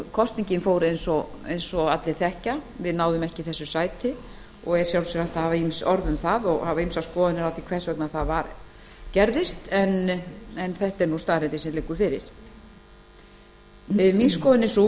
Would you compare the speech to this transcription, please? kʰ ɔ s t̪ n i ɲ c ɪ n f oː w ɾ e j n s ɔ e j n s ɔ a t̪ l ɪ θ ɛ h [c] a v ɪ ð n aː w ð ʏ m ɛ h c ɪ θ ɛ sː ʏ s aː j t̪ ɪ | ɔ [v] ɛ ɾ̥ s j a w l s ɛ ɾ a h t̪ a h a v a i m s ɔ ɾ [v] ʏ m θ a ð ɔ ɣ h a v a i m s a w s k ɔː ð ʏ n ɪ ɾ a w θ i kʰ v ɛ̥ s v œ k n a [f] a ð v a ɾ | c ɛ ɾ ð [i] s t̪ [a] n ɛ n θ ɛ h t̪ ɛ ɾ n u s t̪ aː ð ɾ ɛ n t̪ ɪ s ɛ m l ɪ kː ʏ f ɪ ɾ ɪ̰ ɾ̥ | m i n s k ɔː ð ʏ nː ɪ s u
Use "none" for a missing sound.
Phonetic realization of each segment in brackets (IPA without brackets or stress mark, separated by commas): c, ɣ, ð, θ, ɪ, ɛ